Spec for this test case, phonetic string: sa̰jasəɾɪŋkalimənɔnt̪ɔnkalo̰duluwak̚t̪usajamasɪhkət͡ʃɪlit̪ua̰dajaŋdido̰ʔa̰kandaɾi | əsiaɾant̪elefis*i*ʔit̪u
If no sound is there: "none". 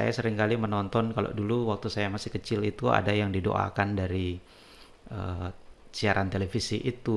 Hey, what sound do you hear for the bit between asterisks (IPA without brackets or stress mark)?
i